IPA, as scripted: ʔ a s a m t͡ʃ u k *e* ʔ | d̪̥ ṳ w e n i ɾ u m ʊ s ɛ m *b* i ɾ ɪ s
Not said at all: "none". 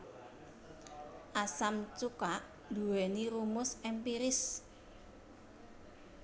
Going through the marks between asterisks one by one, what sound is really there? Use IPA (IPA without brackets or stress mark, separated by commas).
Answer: a, p